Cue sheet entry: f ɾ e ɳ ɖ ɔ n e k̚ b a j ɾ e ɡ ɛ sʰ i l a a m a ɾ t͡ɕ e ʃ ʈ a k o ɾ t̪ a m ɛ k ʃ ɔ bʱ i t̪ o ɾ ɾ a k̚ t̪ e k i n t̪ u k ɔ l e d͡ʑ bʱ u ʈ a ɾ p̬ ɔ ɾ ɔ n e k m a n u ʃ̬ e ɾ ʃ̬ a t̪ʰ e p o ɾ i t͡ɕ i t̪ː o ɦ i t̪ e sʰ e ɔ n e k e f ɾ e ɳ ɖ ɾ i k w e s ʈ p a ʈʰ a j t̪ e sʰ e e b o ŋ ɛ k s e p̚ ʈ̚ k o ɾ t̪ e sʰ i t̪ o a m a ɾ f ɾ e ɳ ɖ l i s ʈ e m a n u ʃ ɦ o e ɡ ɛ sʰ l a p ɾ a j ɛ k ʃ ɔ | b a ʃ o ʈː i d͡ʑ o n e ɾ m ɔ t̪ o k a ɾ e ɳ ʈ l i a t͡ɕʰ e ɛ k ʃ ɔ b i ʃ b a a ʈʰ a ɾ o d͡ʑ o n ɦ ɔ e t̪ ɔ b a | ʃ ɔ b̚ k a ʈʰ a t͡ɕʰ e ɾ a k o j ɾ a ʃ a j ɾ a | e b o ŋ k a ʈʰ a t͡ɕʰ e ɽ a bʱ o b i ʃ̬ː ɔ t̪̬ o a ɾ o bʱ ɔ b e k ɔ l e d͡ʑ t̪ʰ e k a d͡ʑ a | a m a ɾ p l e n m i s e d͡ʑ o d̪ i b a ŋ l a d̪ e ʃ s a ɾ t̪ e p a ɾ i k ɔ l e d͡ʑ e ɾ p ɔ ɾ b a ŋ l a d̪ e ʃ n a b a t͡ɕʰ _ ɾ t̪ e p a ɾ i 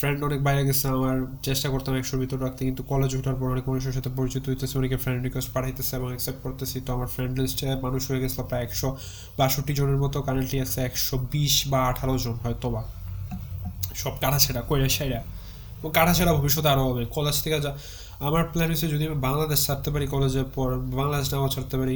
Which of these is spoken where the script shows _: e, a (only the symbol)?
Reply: a